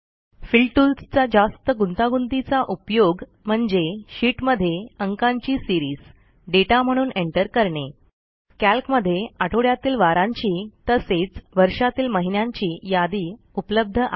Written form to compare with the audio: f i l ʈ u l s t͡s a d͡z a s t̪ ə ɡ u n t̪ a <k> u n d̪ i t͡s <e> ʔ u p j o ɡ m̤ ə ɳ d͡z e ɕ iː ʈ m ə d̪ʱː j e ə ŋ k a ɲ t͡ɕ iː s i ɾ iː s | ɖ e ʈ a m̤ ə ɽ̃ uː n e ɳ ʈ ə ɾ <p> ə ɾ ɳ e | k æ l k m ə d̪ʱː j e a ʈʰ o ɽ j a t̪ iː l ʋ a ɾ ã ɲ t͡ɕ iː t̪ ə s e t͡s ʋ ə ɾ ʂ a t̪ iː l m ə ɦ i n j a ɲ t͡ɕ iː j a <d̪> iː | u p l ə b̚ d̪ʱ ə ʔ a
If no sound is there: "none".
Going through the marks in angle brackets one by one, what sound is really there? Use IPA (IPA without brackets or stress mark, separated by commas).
ɡ, a, k, d̪